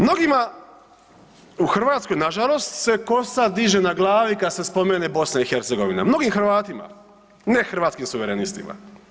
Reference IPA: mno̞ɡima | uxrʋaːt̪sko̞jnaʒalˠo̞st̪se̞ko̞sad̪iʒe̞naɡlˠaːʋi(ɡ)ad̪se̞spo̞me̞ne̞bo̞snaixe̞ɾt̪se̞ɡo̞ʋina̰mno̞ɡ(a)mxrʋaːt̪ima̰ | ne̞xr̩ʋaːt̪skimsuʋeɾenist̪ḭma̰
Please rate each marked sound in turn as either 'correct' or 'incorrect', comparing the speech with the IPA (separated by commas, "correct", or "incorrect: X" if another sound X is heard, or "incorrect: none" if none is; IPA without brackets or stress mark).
incorrect: k, incorrect: i